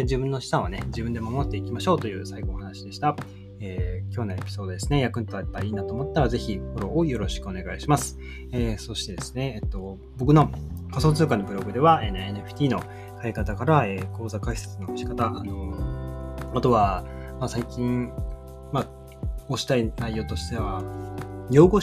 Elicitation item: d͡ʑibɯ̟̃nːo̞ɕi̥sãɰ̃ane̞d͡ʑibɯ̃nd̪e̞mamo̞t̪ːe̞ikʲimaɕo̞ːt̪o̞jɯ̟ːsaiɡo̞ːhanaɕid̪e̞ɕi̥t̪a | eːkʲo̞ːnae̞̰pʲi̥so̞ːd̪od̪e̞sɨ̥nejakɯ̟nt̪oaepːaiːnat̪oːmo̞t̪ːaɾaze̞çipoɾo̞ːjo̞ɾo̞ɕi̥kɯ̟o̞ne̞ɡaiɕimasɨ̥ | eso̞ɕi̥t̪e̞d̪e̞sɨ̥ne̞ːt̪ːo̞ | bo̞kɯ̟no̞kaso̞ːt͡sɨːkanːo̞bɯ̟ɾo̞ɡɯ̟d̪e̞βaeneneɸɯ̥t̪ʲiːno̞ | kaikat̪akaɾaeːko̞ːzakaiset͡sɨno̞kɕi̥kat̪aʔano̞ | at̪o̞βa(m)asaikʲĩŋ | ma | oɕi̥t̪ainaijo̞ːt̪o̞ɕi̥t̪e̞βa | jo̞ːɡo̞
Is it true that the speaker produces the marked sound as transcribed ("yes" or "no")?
yes